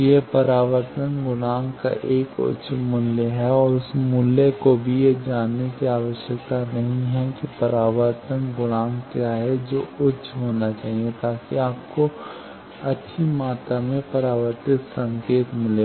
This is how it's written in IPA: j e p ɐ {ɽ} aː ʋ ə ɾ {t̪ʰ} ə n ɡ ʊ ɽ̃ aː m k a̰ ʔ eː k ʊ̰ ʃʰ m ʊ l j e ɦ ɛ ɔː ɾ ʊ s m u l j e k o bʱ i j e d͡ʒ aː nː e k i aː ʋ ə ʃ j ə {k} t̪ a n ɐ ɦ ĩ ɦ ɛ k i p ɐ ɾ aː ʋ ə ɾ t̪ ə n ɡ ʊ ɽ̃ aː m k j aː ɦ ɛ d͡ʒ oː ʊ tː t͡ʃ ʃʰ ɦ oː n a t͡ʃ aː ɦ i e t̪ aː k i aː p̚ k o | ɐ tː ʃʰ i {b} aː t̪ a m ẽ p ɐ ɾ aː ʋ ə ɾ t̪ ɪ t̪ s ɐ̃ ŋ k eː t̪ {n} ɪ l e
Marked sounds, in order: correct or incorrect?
incorrect: ɾ, incorrect: t̪, correct, incorrect: m, incorrect: m

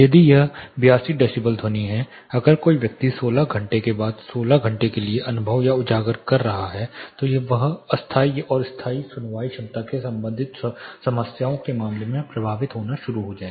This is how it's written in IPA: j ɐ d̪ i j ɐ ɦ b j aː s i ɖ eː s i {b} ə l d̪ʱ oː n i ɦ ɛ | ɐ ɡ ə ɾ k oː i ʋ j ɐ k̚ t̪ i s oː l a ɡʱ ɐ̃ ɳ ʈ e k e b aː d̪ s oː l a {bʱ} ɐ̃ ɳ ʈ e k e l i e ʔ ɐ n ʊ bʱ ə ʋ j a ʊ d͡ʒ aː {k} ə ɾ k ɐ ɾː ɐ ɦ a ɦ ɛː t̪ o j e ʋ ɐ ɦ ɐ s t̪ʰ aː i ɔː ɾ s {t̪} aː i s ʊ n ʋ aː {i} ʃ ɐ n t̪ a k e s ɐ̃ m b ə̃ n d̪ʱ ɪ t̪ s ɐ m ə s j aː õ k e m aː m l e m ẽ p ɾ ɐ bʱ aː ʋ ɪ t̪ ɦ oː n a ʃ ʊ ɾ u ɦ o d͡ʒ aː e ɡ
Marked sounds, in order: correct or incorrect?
correct, incorrect: ɡʱ, incorrect: ɡ, incorrect: t̪ʰ, correct

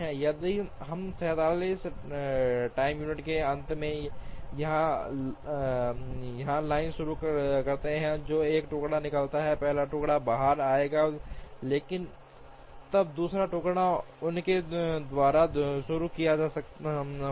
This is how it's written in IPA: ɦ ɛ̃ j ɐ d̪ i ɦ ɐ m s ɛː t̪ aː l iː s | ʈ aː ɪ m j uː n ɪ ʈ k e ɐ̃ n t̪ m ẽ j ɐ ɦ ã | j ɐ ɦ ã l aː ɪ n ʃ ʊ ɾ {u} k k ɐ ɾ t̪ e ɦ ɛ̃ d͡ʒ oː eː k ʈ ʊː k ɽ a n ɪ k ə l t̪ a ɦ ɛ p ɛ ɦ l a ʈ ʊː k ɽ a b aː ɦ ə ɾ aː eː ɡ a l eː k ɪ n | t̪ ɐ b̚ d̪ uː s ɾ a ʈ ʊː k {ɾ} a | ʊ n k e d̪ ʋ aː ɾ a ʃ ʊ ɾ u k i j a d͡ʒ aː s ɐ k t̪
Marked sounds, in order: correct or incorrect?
correct, incorrect: ɽ

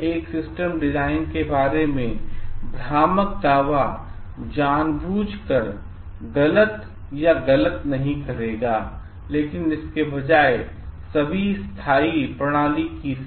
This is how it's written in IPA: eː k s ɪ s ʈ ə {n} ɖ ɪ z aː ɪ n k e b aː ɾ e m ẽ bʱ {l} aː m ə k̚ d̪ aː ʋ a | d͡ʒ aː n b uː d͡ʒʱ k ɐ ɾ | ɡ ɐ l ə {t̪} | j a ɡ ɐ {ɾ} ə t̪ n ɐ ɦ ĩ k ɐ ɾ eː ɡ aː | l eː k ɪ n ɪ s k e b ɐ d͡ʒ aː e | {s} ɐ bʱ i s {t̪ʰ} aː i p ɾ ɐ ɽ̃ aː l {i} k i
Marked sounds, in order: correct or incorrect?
incorrect: m, incorrect: ɾ, correct, incorrect: l, correct, correct, correct

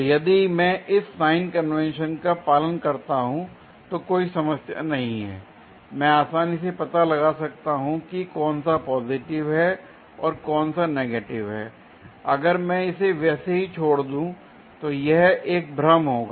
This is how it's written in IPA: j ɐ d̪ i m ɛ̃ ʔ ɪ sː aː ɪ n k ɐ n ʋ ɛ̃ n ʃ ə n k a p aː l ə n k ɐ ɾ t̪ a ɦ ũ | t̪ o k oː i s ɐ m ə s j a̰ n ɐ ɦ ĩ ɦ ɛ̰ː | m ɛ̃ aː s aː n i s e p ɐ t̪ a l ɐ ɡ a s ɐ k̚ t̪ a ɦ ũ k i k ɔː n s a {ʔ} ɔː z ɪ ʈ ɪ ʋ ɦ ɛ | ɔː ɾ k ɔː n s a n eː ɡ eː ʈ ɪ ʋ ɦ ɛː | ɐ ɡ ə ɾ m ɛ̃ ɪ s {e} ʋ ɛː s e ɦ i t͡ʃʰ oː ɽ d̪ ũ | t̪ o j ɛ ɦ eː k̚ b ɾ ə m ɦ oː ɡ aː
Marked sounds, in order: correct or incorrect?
incorrect: p, correct

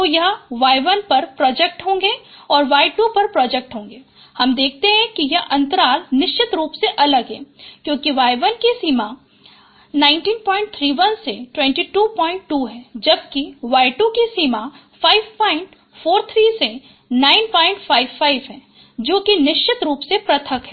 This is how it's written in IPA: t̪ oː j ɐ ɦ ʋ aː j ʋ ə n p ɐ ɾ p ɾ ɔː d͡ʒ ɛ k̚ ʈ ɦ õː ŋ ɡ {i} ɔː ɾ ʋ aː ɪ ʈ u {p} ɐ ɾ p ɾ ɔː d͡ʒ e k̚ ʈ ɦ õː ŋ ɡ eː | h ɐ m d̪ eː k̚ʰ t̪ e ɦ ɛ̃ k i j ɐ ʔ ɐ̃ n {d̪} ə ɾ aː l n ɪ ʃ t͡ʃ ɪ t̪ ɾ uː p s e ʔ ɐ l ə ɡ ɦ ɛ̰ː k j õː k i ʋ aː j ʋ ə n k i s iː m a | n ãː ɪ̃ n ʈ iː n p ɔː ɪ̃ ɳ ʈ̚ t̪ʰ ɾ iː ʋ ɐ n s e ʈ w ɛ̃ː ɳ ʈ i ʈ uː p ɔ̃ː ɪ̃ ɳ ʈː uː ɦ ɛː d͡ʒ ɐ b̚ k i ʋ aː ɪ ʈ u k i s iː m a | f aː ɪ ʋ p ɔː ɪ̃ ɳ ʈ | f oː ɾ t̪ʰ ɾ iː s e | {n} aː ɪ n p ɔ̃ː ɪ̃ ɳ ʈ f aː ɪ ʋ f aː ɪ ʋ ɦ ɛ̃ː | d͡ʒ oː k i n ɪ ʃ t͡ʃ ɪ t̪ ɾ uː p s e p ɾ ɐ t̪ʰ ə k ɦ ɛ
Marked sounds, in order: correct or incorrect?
incorrect: e, correct, incorrect: t̪, correct

